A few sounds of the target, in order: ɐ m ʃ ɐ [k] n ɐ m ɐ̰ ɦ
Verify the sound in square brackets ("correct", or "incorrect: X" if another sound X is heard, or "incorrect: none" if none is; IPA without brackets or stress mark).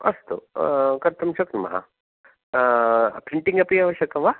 correct